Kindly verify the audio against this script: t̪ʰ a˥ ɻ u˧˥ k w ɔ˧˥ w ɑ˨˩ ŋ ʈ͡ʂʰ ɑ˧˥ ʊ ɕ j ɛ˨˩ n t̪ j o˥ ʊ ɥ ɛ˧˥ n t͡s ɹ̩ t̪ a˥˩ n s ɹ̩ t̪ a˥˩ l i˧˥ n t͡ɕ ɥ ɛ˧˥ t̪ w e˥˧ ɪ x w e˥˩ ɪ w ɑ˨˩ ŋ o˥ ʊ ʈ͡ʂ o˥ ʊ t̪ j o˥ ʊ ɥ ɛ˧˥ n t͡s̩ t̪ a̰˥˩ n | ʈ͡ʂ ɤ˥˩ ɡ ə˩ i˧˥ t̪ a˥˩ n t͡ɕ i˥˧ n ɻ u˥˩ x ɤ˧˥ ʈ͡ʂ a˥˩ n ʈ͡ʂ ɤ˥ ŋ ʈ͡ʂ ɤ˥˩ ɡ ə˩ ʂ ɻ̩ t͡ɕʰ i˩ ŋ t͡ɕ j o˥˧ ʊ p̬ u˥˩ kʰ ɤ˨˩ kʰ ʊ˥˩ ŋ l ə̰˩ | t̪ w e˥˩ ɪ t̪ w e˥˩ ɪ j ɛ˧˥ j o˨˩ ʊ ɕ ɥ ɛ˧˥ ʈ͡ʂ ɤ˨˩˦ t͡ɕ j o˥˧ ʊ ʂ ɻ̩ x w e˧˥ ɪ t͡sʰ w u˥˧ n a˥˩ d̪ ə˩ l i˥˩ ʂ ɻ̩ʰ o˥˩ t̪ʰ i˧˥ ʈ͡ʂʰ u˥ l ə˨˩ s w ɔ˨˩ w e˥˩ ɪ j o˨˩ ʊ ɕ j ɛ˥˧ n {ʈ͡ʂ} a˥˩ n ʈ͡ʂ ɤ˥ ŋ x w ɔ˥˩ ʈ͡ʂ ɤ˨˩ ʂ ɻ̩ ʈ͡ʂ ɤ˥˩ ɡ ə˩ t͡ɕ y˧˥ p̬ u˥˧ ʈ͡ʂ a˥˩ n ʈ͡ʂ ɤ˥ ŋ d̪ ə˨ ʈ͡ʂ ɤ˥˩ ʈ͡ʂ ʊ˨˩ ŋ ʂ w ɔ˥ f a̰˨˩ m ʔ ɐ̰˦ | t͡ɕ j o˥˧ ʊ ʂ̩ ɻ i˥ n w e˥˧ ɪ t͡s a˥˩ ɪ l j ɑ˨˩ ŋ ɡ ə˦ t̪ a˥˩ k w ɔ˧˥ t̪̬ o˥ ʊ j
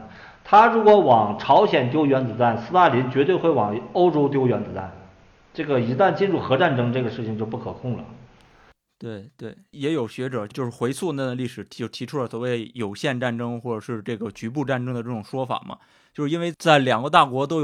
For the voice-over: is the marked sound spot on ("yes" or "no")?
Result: yes